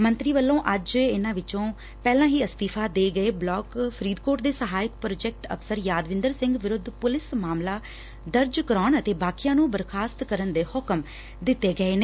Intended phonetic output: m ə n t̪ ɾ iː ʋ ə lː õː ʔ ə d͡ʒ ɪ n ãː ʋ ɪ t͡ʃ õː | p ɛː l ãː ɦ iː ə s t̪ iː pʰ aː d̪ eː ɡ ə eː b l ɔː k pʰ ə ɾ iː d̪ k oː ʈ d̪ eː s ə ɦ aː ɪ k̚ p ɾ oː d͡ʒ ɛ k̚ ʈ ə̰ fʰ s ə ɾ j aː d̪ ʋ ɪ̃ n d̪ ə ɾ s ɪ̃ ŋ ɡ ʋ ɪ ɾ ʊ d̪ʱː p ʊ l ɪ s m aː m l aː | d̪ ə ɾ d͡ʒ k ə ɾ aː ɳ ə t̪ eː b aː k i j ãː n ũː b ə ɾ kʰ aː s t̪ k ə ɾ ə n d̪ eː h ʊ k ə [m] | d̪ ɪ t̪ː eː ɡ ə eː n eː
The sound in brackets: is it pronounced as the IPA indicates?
yes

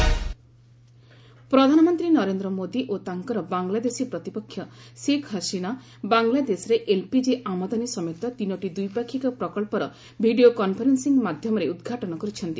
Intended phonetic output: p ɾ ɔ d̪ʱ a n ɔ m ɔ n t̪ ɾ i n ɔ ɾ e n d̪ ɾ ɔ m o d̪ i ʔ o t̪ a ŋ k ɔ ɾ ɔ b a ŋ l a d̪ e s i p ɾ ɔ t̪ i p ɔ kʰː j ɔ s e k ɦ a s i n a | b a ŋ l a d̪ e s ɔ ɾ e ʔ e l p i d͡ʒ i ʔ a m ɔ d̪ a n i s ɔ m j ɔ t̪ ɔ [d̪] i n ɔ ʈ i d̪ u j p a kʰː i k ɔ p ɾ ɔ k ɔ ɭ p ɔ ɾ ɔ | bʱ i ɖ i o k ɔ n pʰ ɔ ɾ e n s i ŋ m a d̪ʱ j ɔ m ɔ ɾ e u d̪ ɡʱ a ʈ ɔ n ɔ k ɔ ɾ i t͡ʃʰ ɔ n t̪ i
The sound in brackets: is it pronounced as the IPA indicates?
no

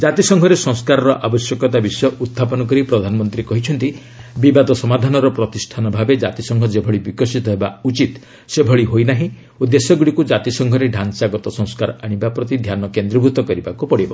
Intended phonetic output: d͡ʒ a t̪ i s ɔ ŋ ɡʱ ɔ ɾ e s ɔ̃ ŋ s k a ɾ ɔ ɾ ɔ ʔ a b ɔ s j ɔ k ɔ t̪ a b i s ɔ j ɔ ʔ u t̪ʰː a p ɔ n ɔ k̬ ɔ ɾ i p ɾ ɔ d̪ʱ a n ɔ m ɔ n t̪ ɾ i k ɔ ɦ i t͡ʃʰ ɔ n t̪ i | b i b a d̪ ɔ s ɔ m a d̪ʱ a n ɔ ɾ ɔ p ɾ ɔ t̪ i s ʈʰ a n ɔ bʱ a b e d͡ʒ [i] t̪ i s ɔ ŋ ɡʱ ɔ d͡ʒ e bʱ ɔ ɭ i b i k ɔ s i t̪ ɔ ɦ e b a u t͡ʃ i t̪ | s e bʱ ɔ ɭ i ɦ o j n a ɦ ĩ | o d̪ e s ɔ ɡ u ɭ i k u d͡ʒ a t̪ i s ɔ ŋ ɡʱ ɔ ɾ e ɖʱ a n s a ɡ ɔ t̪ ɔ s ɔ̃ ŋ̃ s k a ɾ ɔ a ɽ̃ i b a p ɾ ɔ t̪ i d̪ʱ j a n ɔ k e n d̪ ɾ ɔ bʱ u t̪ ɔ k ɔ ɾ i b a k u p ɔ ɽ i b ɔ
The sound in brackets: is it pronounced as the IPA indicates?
no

